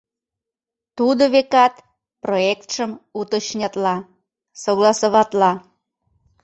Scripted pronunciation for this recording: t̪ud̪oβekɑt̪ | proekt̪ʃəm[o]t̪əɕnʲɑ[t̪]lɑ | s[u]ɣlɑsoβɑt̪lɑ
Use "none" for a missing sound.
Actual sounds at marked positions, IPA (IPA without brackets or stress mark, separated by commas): u, t̪, o